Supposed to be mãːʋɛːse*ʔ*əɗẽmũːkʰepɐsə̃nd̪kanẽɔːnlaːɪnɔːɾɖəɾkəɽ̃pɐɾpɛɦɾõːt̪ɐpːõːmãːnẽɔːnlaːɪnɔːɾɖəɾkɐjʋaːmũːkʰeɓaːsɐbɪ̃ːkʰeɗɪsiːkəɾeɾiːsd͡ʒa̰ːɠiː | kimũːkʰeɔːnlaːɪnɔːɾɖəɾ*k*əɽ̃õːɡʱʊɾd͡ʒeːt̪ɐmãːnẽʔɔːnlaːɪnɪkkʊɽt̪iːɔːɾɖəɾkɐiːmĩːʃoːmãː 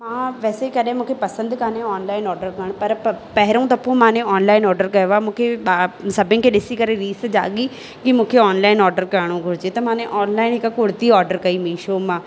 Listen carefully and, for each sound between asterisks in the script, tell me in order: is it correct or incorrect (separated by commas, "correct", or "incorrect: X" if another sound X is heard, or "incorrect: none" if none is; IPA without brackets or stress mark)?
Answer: incorrect: k, correct